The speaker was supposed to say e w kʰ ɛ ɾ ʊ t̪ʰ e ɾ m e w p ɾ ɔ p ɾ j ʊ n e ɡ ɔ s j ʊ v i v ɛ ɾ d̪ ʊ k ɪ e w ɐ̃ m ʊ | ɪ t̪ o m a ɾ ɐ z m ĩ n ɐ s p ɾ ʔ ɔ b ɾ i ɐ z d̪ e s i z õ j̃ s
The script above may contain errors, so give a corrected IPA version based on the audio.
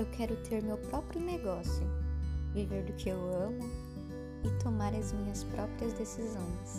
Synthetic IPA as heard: e w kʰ ɛ ɾ ʊ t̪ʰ e ɾ m e w p ɾ ɔ p ɾ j ʊ n e ɡ ɔ s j ʊ v i v e ɾ d̪ ʊ k ɪ e w ɐ̃ m ʊ | ɪ t̪ o m a ɾ ɐ z m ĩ ɲ ɐ s p ɾ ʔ ɔ p ɾ i ɐ z d̪ e s i z õ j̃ s